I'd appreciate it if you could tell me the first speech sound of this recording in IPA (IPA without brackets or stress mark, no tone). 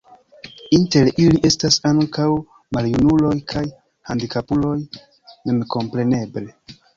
i